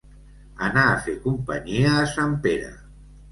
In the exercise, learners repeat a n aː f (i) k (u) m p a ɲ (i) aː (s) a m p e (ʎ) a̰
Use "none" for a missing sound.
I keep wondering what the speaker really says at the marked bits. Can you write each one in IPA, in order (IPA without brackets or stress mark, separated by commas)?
e, u, i, s, ɾ